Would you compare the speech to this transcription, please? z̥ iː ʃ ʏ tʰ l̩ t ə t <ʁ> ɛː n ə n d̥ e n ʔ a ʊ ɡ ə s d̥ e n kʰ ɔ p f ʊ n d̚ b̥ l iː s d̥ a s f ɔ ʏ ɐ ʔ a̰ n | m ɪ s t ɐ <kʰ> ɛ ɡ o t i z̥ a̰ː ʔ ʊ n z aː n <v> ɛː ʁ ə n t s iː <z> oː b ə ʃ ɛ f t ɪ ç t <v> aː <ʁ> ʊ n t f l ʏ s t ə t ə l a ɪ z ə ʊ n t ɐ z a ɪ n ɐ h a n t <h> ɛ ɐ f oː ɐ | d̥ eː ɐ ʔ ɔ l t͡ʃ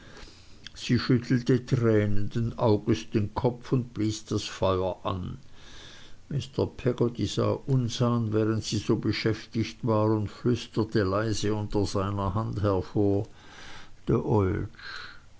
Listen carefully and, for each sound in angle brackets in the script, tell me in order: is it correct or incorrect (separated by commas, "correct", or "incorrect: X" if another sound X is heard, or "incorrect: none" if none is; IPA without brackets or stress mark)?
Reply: correct, incorrect: pʰ, correct, correct, correct, correct, correct